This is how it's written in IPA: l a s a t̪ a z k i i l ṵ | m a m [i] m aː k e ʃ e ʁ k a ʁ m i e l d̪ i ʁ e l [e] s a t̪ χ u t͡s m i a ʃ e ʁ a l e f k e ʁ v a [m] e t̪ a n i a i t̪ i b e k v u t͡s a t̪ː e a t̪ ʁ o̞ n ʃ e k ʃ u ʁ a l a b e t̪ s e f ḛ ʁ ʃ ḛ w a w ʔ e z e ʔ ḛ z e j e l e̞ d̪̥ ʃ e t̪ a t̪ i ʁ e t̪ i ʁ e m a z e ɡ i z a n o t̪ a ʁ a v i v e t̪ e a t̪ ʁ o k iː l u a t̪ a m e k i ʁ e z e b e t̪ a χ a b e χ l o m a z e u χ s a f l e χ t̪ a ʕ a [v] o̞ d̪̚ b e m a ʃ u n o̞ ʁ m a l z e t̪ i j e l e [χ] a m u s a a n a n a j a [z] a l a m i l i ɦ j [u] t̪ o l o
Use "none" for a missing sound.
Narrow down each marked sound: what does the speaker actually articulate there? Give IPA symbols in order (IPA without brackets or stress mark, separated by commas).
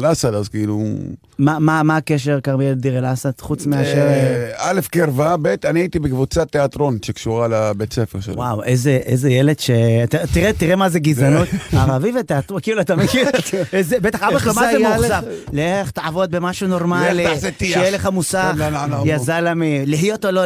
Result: a, a, b, v, χ, z, o